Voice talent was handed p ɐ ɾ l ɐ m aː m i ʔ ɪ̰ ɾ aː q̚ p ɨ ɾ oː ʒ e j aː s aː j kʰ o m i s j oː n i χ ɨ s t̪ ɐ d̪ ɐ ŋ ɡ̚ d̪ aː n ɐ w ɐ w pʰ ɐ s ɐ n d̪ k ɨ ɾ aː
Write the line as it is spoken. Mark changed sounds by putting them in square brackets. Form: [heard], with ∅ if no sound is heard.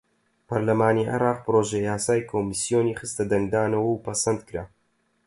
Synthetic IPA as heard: p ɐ ɾ l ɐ m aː [n] i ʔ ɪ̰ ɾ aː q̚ p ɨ ɾ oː ʒ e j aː s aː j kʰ o m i s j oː n i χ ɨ s t̪ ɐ d̪ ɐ ŋ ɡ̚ d̪ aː n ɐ w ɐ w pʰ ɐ s ɐ n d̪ k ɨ ɾ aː